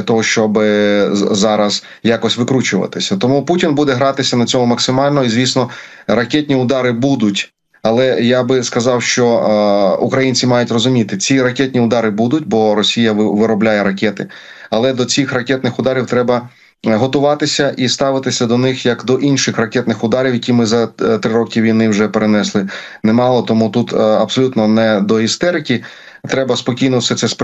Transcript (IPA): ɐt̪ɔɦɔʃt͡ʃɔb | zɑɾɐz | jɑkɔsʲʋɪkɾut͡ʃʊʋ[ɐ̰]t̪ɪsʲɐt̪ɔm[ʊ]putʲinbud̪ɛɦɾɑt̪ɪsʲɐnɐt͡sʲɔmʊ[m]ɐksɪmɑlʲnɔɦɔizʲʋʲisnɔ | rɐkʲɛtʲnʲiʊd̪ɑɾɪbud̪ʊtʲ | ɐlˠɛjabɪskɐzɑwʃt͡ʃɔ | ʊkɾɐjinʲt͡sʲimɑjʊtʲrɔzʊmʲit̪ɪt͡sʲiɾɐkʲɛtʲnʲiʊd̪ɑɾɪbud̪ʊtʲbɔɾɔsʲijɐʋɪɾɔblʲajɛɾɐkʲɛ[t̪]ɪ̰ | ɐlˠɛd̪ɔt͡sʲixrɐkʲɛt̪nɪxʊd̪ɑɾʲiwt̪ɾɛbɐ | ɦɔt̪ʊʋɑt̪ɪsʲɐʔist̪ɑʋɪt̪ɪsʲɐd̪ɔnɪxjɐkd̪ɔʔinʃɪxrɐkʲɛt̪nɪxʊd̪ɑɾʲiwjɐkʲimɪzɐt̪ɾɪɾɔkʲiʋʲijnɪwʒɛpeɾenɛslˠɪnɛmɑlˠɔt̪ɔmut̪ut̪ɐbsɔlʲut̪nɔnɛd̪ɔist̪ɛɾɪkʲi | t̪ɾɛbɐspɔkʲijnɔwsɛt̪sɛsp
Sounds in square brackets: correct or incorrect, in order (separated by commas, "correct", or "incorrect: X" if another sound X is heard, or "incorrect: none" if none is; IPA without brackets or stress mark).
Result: correct, incorrect: u, correct, correct